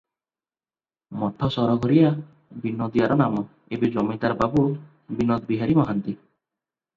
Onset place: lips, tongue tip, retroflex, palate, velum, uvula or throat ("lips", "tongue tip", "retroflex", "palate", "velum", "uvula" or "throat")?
lips